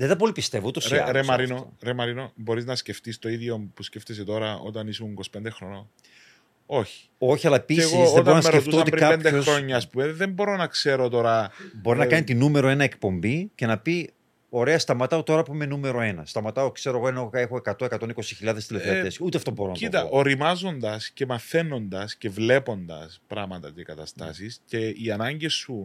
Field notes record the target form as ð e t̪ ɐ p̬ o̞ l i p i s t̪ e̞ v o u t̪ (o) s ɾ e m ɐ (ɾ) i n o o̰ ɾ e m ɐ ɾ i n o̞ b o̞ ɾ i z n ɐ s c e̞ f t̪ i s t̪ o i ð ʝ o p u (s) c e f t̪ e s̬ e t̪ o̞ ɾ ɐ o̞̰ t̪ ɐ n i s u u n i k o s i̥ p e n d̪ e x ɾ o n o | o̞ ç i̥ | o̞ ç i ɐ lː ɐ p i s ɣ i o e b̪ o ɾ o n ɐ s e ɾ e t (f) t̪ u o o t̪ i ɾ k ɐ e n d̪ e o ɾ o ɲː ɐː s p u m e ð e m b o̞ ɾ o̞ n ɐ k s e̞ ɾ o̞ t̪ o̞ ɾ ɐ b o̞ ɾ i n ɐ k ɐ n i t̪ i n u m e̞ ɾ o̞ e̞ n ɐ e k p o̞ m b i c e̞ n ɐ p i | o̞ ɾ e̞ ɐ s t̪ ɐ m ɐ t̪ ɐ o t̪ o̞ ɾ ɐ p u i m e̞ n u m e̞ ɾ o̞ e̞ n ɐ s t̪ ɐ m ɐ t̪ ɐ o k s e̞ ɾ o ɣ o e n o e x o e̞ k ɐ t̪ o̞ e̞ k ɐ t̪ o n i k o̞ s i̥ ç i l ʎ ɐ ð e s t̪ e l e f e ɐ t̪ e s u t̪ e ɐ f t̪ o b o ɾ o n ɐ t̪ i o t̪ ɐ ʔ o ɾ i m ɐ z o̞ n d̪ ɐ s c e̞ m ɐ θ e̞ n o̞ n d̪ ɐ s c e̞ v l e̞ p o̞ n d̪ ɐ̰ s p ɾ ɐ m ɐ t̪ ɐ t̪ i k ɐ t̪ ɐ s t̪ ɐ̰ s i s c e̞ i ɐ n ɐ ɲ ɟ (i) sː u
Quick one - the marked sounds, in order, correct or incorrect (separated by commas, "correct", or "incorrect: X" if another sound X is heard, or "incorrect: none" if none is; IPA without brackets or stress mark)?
correct, correct, correct, correct, incorrect: e